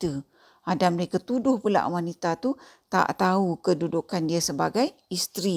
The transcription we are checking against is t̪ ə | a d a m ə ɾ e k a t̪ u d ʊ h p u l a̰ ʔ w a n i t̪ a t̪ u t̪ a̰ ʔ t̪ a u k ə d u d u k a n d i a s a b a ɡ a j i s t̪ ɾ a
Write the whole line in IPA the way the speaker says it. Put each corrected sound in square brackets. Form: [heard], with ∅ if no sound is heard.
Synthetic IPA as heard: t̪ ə | a d a m ə ɾ e k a t̪ u d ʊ h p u l a̰ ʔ w a n i t̪ a t̪ u t̪ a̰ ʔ t̪ a u k ə d u d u k a n d i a s [ə] b a ɡ a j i s t̪ ɾ [i]